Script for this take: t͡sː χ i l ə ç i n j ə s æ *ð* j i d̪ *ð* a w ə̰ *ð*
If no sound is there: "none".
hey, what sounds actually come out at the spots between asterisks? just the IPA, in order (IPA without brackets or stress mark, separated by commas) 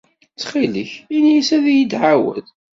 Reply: ð, ʕ, ð